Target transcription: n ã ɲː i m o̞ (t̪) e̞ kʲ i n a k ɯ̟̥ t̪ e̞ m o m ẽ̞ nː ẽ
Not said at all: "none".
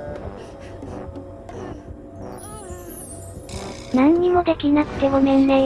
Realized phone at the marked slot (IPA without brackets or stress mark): d̪